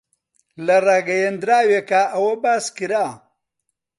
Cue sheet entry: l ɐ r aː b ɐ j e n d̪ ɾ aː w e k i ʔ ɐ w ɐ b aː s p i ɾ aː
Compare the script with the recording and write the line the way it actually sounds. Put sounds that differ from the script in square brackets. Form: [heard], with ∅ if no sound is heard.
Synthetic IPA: l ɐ r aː [ɡ] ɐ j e n d̪ ɾ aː w e k [a] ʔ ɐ w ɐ b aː s [k] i ɾ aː